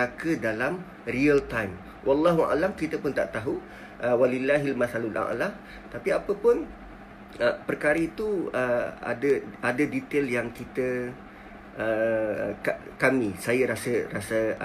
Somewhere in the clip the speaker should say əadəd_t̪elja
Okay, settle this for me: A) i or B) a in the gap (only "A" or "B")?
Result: A